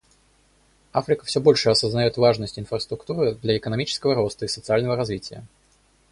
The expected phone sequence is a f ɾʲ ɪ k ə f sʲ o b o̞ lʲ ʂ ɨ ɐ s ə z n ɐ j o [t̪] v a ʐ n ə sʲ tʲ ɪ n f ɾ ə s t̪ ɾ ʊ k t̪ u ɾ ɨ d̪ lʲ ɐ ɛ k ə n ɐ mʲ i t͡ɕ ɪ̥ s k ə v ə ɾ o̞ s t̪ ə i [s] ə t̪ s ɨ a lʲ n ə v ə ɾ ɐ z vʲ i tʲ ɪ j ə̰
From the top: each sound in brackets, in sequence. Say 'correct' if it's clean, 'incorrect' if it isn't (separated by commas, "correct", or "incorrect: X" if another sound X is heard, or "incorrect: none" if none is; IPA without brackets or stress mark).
correct, correct